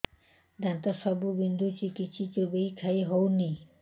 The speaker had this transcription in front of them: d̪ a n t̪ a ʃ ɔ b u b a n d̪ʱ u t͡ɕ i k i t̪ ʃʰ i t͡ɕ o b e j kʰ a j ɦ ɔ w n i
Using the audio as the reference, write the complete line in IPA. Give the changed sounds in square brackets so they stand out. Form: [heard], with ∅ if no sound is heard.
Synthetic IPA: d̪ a n t̪ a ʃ ɔ b u b [i] n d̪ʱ u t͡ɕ i k i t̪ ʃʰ i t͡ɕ o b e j kʰ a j ɦ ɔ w n i